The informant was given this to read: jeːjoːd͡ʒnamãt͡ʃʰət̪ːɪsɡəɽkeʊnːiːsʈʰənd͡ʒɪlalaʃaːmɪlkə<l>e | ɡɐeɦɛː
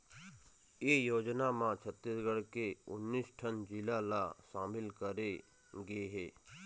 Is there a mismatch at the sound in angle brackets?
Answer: yes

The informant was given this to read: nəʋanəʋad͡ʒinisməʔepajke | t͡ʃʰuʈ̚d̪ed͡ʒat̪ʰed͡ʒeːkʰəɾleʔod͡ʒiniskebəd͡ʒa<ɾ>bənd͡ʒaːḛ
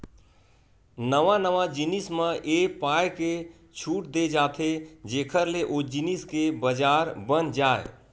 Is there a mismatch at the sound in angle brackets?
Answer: no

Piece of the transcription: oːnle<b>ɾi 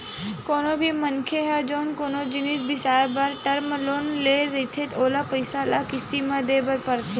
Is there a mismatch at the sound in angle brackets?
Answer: yes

